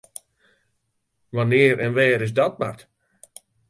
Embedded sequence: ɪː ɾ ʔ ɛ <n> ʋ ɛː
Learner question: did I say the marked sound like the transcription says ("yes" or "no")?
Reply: yes